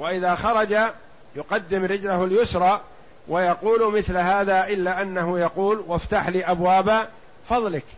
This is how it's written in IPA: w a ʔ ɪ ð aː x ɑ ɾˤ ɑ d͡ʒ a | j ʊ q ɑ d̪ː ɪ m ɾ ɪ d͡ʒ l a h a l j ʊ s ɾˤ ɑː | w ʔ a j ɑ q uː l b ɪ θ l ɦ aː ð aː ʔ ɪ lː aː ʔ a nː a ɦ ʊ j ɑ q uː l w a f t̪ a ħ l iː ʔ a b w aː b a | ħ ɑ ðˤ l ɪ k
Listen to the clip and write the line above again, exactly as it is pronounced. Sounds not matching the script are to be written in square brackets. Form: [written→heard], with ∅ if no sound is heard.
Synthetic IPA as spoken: w a ʔ ɪ ð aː x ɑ ɾˤ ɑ d͡ʒ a | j ʊ q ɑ d̪ː ɪ m ɾ ɪ d͡ʒ l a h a l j ʊ s ɾˤ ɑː | w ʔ a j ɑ q uː l [b→m] ɪ θ l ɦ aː ð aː ʔ ɪ lː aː ʔ a nː a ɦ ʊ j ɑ q uː l w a f t̪ a ħ l iː ʔ a b w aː b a | [ħ→f] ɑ ðˤ l ɪ k